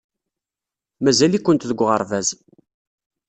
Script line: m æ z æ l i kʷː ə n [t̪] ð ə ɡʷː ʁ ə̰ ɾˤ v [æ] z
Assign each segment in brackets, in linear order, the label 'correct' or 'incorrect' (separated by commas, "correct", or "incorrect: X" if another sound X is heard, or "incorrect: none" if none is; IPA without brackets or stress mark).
correct, correct